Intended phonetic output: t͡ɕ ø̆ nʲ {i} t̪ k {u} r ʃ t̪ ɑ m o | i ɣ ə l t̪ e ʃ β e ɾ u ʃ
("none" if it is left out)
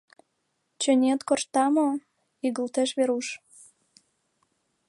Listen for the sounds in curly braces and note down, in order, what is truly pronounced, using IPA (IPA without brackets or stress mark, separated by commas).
e, o